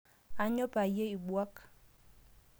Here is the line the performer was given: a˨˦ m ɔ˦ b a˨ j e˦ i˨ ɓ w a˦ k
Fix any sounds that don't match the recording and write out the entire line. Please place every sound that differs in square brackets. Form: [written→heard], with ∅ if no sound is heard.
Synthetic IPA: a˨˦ [m→ɲ] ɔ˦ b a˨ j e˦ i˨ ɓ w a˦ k